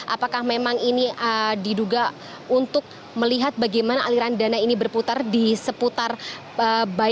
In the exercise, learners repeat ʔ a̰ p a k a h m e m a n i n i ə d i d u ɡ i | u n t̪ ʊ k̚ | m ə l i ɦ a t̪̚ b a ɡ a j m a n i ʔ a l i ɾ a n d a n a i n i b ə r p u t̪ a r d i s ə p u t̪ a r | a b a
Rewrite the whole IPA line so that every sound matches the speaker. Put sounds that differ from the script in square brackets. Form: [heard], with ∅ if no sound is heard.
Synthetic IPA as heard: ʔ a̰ p a k a h m e m a [ŋ] i n i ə d i d u ɡ [a] | u n t̪ ʊ k̚ | m ə l i ɦ a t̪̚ b a ɡ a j m a n [a] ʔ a l i ɾ a n d a n a i n i b ə r p u t̪ a r d i s ə p u t̪ a r | [ə] b a